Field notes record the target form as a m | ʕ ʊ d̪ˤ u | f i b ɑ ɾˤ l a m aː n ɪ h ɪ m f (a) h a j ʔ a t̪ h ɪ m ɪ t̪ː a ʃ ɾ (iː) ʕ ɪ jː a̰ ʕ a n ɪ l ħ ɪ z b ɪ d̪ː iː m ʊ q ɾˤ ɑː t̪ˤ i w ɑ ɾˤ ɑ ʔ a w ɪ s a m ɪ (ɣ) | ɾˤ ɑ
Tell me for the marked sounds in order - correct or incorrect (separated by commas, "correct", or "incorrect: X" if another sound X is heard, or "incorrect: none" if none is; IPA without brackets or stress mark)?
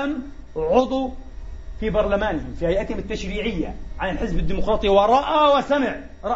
incorrect: i, correct, incorrect: ʕ